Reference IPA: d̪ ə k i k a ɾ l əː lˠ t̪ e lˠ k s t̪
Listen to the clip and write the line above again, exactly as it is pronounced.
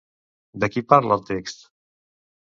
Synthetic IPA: d̪ ə k i p a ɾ l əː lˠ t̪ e k s t̪